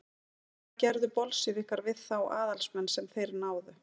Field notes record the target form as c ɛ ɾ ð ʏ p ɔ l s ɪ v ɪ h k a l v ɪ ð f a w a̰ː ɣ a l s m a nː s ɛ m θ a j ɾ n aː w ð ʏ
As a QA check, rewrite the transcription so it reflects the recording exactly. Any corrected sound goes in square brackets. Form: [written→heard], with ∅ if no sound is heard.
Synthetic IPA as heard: c ɛ ɾ ð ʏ p ɔ l s ɪ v ɪ h k a [l→ɾ] v ɪ ð [f→θ] a w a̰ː [ɣ→ð] a l s m [a→ɛ] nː s ɛ m θ [a→e] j ɾ n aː w ð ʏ